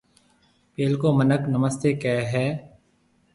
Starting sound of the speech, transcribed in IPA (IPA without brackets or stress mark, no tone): p